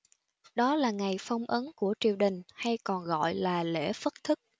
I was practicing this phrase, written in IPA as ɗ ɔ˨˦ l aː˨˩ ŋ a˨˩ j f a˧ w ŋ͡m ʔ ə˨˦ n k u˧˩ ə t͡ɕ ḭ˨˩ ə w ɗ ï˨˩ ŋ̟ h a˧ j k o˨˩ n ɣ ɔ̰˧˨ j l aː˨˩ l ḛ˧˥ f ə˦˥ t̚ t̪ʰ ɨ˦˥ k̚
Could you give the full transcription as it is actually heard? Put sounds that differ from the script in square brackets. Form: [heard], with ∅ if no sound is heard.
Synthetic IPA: ɗ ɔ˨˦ l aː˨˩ ŋ a˨˩ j f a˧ w ŋ͡m ʔ ə˨˦ n k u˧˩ ə t͡ɕ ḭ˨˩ ə w ɗ ï˨˩ ŋ̟ h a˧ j k [ɔ˨˩] n ɣ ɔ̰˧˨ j l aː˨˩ l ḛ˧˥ f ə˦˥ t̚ t̪ʰ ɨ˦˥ k̚